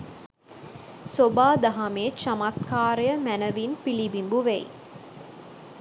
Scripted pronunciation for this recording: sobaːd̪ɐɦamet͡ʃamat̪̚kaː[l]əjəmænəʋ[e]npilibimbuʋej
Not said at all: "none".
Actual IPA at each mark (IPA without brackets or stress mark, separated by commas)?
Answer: ɾ, i